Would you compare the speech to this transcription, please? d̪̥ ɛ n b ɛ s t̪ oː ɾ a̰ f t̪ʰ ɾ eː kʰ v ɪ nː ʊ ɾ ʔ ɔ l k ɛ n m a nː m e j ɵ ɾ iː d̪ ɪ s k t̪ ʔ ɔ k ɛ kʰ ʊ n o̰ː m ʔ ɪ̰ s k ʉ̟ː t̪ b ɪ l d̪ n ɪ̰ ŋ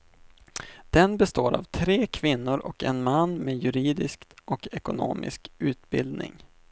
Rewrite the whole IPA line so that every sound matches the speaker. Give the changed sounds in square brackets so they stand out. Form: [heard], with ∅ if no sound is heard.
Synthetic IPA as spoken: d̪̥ ɛ n b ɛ s t̪ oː ɾ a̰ [v] t̪ʰ ɾ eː kʰ v ɪ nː ʊ ɾ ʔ ɔ [∅] k ɛ n m a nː m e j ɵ ɾ iː d̪ ɪ s k t̪ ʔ ɔ k ɛ [k] ʊ n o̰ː m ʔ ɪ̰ s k ʉ̟ː t̪ b ɪ l d̪ n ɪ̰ ŋ